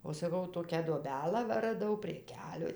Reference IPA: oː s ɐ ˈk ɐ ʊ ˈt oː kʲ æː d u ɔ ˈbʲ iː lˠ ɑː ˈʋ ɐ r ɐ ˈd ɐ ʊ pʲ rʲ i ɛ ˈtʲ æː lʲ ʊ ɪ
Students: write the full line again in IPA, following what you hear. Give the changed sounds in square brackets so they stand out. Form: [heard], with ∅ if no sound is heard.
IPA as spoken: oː s ɐ ˈk ɐ ʊ ˈt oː kʲ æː d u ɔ ˈbʲ [æː] lˠ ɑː ˈʋ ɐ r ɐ ˈd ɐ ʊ pʲ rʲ i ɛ [ˈkʲ] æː lʲ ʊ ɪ